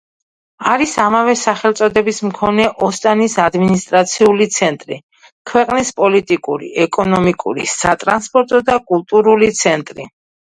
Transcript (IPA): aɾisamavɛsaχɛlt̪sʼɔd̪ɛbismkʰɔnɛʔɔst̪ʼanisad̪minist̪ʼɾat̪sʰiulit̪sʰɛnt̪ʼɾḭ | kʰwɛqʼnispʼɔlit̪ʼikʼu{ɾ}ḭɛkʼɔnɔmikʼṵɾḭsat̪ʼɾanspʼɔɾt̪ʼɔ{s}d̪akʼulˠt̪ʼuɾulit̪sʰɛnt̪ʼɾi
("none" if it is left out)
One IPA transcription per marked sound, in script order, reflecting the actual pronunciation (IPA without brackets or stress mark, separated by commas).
ɾ, none